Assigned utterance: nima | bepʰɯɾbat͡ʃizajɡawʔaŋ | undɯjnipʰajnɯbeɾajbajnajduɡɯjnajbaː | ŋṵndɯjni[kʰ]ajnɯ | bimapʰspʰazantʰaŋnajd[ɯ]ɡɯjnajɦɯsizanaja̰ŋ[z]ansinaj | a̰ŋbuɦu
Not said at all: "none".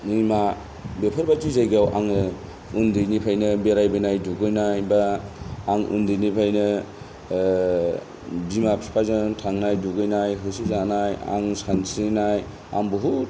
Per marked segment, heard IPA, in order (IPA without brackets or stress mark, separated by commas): pʰ, u, s